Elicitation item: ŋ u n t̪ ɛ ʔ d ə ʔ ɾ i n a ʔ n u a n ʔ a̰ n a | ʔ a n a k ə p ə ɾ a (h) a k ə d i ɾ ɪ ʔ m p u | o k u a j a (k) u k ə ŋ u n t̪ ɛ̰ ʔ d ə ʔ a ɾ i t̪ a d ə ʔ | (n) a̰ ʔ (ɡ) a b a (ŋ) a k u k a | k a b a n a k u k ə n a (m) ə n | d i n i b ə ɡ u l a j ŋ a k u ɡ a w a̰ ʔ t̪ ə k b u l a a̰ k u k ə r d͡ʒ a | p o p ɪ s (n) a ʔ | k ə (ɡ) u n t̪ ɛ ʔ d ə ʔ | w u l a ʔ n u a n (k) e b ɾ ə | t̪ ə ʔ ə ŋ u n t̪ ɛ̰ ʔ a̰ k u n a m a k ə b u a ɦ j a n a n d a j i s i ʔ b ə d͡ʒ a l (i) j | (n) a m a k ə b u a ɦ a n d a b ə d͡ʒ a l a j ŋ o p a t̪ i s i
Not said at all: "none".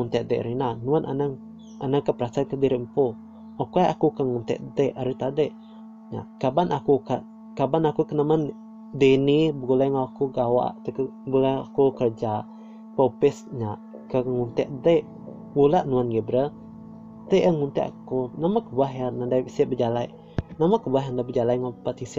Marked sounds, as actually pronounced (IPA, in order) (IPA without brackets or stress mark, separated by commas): s, k, ɲ, k, n, m, ɲ, ŋ, ɡ, a, n